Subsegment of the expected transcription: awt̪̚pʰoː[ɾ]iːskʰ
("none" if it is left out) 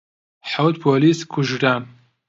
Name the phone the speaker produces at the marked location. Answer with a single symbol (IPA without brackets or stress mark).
l